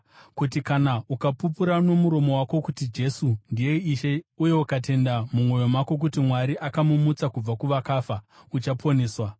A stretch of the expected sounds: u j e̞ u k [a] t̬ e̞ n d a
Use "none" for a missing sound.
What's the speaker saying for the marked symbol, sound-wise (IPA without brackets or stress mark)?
a